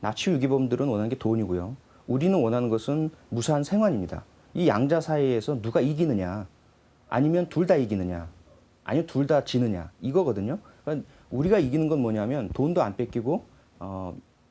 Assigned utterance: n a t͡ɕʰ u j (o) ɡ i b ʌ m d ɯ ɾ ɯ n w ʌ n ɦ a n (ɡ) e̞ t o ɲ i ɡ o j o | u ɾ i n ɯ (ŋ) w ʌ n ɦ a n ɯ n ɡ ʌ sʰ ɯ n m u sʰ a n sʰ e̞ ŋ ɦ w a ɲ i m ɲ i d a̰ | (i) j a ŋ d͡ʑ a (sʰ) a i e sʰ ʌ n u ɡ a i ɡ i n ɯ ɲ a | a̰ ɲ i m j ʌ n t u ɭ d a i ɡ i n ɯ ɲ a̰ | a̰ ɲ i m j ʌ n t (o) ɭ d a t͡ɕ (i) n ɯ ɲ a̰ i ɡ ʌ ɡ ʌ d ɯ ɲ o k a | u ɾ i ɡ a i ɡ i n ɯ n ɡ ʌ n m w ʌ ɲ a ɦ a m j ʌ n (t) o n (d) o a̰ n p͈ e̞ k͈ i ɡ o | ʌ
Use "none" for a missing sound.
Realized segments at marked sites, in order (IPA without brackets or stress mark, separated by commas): u, ɡ, n, i, sʰ, u, i, t, d